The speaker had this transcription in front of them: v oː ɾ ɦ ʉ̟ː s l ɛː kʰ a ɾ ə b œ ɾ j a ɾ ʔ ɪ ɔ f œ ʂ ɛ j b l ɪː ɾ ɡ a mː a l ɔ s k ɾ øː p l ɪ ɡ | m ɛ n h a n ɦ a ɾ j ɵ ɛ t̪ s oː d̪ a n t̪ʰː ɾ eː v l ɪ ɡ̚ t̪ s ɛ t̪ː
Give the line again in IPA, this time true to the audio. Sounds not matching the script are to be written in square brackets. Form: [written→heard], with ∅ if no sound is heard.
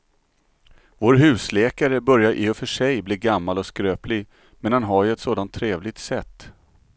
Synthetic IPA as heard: v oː ɾ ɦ ʉ̟ː s l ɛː [kʰ→k] a ɾ ə b œ ɾ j a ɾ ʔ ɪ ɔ f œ ʂ ɛ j b l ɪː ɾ ɡ a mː a l ɔ s k ɾ øː p l ɪ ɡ | m ɛ n h a n ɦ a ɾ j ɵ ɛ t̪ s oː d̪ a n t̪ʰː ɾ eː v l ɪ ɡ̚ t̪ s ɛ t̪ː